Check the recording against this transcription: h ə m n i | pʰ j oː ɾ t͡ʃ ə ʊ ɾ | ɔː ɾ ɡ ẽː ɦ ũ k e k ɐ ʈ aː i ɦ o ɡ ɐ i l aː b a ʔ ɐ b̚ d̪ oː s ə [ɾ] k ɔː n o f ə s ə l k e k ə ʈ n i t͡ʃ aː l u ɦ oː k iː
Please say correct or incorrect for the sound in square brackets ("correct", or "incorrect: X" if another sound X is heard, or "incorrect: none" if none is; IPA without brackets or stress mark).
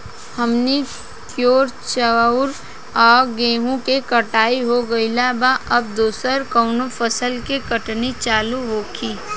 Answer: correct